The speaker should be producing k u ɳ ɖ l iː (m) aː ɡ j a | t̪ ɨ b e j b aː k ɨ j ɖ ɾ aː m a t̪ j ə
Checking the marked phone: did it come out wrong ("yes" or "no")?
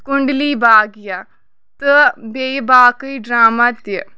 yes